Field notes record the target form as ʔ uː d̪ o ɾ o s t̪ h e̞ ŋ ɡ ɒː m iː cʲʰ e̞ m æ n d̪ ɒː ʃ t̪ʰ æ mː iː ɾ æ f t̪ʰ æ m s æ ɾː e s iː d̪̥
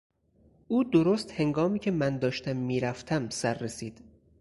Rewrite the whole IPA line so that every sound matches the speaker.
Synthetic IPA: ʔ uː d̪ o ɾ o s t̪ h e̞ ŋ ɡ ɒː m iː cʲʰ e̞ m æ n d̪ ɒː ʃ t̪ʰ æ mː iː ɾ æ f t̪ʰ æ m s æ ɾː e s iː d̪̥